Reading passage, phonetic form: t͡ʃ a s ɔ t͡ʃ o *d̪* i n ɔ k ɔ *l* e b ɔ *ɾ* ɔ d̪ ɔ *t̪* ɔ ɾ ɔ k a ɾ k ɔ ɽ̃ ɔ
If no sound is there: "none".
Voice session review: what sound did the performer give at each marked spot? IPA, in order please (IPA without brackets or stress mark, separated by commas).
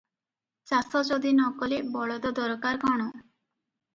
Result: d̪, l, ɭ, d̪